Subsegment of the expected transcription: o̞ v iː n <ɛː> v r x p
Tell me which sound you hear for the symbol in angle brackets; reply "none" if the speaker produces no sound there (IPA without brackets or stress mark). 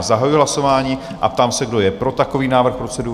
aː